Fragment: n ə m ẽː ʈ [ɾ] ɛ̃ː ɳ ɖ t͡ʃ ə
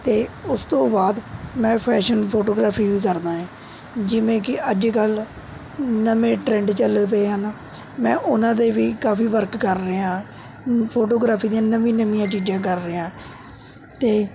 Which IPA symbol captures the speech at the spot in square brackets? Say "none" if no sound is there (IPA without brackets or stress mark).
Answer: ɾ